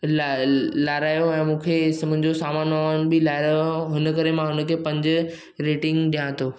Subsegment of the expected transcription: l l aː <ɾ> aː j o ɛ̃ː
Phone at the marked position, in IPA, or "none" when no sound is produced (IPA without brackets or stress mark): ɾ